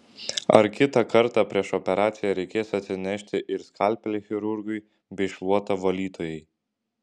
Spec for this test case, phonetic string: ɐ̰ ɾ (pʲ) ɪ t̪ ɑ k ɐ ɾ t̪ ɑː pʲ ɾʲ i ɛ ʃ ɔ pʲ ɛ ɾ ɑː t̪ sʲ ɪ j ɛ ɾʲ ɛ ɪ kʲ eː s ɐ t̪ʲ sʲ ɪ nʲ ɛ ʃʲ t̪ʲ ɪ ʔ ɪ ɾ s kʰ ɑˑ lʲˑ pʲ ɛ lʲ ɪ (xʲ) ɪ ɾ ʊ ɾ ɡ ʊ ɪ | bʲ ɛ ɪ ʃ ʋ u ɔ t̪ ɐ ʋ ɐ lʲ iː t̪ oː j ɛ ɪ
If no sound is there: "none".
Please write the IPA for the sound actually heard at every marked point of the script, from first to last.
kʲ, xʲ

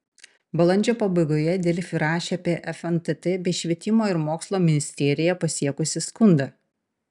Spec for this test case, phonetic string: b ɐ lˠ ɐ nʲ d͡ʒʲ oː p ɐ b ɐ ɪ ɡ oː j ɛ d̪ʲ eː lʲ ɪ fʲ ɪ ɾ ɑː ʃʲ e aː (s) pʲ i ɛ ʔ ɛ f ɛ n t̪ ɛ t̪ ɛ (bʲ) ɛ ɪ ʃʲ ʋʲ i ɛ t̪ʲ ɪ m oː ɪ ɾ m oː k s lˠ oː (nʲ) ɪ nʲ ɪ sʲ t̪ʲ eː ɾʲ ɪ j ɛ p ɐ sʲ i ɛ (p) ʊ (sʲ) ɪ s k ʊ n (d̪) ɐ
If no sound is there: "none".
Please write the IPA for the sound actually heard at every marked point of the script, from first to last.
none, bʲ, mʲ, k, sʲ, d̪

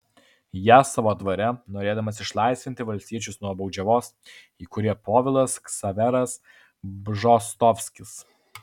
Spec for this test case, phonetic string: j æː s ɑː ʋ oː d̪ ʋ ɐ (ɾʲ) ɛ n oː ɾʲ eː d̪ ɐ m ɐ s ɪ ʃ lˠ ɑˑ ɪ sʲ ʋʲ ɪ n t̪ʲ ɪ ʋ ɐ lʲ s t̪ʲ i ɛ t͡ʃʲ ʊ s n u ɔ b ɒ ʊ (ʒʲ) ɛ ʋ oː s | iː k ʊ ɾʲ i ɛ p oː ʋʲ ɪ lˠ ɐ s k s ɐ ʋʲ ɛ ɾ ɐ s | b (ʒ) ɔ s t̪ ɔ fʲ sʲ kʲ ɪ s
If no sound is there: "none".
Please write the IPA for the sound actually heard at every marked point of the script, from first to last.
ɾʲ, d͡ʒʲ, ʒ

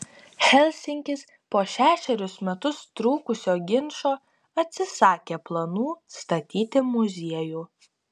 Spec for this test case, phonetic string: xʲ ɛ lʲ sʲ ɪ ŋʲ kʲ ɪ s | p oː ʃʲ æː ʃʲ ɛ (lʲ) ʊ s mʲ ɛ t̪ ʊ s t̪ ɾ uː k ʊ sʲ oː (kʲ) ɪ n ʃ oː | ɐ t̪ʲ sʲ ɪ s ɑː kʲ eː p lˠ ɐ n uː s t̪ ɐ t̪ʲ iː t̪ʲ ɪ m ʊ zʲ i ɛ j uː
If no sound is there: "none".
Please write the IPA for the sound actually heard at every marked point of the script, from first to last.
ɾʲ, ɡʲ

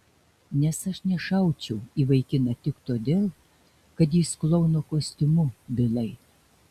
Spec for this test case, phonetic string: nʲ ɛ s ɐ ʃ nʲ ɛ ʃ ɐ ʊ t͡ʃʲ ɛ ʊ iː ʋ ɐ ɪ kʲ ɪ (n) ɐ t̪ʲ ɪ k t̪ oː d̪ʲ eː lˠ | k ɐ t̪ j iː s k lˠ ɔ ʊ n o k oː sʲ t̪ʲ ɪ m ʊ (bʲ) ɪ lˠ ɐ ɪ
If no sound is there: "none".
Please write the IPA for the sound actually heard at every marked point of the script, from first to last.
n, bʲ

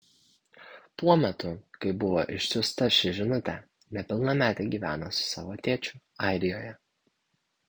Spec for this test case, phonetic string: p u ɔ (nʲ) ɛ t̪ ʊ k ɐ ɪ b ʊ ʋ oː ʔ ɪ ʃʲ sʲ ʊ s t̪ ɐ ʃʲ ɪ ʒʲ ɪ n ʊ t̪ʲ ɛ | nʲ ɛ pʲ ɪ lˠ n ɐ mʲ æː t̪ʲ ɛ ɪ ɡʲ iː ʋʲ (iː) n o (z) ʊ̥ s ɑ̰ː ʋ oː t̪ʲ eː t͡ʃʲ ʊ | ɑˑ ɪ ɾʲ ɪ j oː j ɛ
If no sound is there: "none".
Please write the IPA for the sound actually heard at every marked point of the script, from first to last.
mʲ, æː, s

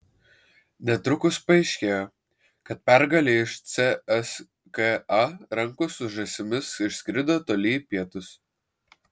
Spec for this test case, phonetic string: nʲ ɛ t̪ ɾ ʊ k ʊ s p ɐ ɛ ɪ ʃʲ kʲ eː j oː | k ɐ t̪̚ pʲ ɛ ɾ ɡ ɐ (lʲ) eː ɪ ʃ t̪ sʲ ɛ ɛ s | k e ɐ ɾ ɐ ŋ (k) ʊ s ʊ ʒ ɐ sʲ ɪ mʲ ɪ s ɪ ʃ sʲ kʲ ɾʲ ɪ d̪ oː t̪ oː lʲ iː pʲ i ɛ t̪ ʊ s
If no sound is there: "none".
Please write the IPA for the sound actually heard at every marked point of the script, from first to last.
lʲ, k

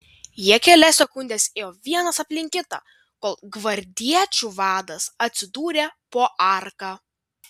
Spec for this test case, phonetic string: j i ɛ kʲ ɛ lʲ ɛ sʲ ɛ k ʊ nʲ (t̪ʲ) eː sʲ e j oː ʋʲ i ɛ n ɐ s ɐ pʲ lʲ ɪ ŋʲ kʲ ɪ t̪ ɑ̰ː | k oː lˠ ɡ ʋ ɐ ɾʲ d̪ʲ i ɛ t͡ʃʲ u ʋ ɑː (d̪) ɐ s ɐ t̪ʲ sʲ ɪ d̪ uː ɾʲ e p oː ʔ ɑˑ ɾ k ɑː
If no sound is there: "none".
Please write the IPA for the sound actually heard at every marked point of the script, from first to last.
d̪ʲ, d̪

